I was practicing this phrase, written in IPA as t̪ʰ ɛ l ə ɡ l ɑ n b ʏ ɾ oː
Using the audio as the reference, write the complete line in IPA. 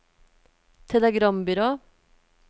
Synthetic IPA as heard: t̪ʰ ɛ l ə ɡ ɾ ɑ m b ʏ ɾ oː

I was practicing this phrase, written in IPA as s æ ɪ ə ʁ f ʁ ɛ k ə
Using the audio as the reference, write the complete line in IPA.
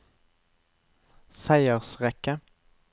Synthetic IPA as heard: s æ ɪ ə ʁ s ʁ ɛ k ə

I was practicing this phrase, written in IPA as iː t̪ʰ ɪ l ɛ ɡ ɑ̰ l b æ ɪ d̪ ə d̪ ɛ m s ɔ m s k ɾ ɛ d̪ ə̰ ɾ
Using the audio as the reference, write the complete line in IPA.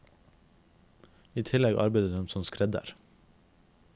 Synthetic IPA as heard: iː t̪ʰ ɪ l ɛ ɡ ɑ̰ ɾ b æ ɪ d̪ ə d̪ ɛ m s ɔ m s k ɾ ɛ d̪ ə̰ ɾ

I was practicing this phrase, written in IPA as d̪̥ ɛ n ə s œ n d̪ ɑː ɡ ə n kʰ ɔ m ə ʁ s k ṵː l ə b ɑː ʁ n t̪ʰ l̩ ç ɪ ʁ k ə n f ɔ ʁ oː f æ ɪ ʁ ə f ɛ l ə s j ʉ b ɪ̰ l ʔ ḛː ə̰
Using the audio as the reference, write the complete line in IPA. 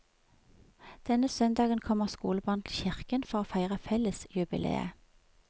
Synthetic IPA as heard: d̪̥ ɛ n ə s œ n d̪ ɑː ɡ ə n kʰ ɔ m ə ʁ s k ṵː l ə b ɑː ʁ n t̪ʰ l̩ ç ɪ ʁ k ə n f ɔ ʁ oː f æ ɪ ʁ ə f ɛ l ə s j ʉ b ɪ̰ l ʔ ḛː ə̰

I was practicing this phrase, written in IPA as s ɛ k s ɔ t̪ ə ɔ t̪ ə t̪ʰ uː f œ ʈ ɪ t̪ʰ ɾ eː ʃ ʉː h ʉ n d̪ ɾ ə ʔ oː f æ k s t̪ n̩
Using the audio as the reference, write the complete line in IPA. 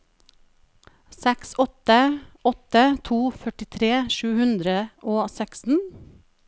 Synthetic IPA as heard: s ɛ k s ɔ t̪ ə ɔ t̪ ə t̪ʰ uː f œ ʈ ɪ t̪ʰ ɾ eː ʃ ʉː h ʉ n d̪ ɾ ə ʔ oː s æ k s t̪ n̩

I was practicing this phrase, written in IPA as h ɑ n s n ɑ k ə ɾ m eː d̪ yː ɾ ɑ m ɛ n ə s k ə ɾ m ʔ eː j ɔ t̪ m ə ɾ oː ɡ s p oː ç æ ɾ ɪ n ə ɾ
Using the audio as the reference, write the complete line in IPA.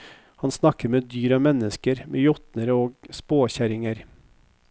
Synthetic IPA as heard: h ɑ n s n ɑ k ə ɾ m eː d̪ yː ɾ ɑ m ɛ n ə s k ə ɾ m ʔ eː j ɔ t̪ n ə ɾ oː ɡ s p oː ç æ ɾ ɪ ŋ ə ɾ

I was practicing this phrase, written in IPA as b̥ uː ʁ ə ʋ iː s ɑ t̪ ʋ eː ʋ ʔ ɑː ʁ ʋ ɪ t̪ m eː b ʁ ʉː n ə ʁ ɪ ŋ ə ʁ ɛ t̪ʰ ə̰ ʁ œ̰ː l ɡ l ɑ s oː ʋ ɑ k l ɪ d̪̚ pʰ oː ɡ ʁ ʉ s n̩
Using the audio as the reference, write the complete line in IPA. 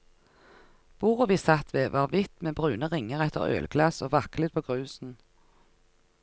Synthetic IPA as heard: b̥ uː ʁ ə ʋ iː s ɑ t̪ ʋ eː ʋ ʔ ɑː ʁ ʋ ɪ t̪ m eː b ʁ ʉː n ə ʁ ɪ ŋ ə ʁ ɛ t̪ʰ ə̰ ʁ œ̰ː l ɡ l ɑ s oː ʋ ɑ k l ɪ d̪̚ pʰ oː ɡ ʁ ʉː s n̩

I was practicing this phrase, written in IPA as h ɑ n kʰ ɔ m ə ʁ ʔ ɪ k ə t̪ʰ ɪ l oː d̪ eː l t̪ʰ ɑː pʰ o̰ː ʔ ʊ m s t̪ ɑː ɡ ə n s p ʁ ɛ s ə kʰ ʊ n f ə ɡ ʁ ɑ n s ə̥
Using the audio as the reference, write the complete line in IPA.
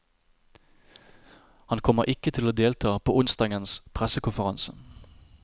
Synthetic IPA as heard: h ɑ n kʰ ɔ m ə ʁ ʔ ɪ k ə t̪ʰ ɪ l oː d̪ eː l t̪ʰ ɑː pʰ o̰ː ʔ ʊ n s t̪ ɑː ɡ ə n s pʰ ʁ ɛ s ə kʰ ʊ n f ə ʁ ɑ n s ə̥

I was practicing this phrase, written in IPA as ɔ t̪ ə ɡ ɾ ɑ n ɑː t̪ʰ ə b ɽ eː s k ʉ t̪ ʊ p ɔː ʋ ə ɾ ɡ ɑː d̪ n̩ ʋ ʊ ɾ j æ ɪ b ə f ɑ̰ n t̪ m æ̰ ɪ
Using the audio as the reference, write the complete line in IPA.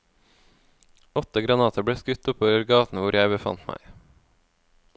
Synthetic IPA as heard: ɔ t̪ ə ɡ ɾ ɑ n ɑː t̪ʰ ə b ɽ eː s k ʉ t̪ ʊ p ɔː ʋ ə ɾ ɡ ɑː t̪ n̩ ʋ ʊ ɾ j æ ɪ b ə f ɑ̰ n t̪ m æ̰ ɪ

